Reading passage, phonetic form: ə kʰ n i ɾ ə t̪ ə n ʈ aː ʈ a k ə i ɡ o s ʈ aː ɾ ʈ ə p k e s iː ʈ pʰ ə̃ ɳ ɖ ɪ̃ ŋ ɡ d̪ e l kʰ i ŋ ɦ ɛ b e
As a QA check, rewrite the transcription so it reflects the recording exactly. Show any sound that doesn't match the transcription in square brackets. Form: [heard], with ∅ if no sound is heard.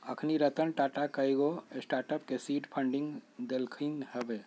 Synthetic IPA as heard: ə kʰ n i ɾ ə t̪ ə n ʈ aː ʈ a k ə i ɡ o s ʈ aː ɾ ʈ ə p k e s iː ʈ pʰ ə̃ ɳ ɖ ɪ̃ ŋ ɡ d̪ e l kʰ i ŋ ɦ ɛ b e